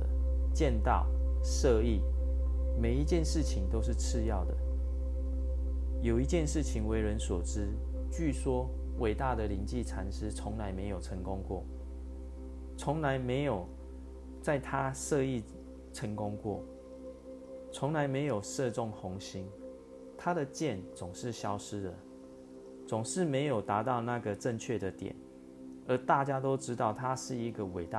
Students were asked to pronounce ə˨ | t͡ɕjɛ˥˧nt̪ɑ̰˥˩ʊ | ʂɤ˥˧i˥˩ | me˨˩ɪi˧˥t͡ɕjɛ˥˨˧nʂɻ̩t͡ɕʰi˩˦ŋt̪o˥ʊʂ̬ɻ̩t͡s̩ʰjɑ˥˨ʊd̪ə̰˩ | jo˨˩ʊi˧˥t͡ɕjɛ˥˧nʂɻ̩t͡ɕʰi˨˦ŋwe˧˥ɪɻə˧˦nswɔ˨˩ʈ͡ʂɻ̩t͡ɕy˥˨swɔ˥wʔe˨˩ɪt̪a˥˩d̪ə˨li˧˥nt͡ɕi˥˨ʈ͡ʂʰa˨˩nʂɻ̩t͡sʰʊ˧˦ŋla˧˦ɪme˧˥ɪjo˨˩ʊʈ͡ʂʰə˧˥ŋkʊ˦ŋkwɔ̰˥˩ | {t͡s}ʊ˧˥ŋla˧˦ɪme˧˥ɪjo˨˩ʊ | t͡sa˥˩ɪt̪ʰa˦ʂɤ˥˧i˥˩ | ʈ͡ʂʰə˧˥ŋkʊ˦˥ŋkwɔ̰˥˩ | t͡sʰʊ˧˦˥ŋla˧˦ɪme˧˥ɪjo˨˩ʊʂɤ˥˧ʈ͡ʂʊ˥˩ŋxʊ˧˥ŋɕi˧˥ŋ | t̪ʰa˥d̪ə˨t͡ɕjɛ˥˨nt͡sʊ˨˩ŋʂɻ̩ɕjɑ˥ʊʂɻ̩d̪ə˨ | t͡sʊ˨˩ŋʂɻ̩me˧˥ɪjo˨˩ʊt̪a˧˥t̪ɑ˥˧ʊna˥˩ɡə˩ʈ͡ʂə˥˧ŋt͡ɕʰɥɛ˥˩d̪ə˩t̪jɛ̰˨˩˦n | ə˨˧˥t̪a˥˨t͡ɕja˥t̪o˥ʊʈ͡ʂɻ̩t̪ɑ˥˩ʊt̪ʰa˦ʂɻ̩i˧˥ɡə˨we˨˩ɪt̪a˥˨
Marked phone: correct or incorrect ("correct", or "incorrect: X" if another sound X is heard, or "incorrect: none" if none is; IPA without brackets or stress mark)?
incorrect: t͡sʰ